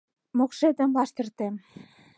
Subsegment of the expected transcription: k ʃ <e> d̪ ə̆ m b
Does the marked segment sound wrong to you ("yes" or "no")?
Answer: no